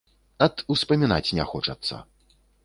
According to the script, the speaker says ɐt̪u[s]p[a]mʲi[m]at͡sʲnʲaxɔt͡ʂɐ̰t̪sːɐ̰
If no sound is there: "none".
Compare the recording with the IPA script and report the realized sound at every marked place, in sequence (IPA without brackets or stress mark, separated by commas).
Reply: s, ɐ, n